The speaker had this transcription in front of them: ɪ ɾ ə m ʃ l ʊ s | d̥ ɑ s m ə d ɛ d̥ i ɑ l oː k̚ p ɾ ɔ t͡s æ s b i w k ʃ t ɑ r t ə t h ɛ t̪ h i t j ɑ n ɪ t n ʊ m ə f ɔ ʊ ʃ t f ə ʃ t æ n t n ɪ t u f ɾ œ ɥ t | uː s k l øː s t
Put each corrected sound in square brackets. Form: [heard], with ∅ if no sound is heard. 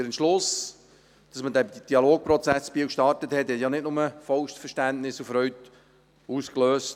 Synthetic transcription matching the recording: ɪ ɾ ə [n] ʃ l ʊ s | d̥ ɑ s m ə d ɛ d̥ i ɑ l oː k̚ p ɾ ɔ t͡s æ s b i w k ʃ t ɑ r t ə t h ɛ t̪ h [ɛ] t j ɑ n ɪ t n ʊ m ə f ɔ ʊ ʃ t f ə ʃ t æ n t n ɪ [s] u f ɾ œ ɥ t | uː s k l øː s t